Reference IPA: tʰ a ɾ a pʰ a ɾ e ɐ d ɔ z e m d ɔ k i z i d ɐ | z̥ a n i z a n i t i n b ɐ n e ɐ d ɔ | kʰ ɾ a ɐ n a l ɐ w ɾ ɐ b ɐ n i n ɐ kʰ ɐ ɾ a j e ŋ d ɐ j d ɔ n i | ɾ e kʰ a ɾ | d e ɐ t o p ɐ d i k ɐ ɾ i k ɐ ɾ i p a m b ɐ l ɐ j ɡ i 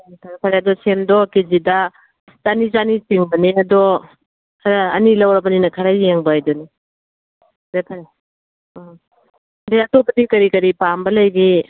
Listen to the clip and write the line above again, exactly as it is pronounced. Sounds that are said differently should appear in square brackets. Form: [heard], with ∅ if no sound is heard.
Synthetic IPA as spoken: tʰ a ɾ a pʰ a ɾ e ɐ d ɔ [s] e m d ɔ k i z i d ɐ | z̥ a n i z a n i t i [ŋ] b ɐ n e ɐ d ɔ | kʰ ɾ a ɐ n [i] l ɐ w ɾ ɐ b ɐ n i n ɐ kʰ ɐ ɾ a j e ŋ [b] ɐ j d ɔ n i | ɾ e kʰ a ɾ | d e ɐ t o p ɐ d i k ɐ ɾ i k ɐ ɾ i p a m b ɐ l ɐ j ɡ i